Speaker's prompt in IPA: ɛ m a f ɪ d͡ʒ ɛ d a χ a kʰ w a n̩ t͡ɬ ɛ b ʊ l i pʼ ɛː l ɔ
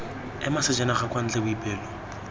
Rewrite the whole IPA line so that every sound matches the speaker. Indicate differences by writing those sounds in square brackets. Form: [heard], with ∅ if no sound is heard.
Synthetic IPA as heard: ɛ m a [s] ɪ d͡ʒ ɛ [n] a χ a [k] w a n̩ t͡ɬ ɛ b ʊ [∅] i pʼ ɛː l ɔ